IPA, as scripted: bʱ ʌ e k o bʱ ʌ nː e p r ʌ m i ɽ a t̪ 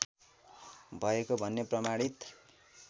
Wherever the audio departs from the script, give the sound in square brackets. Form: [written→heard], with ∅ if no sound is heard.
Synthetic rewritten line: bʱ ʌ e k o bʱ ʌ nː e p r ʌ m [i→a] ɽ [a→i] t̪